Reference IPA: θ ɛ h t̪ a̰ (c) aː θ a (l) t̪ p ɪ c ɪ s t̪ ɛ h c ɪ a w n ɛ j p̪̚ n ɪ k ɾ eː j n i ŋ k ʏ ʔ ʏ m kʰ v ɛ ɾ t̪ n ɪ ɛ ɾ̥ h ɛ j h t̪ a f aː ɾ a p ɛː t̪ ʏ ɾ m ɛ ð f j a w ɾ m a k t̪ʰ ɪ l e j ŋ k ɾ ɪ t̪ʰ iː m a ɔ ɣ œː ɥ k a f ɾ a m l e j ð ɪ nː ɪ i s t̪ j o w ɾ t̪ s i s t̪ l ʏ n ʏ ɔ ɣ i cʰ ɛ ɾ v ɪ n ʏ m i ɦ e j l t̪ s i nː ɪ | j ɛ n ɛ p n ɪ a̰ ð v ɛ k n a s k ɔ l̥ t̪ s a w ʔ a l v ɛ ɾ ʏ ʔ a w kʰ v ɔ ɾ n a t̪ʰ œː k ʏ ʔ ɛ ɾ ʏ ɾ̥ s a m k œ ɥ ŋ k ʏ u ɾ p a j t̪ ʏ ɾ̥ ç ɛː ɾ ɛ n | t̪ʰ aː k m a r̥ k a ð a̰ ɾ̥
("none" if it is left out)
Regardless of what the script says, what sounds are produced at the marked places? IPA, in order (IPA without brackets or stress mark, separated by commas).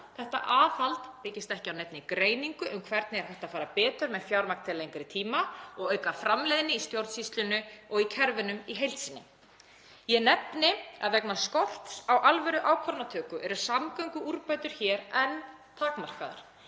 ʔ, l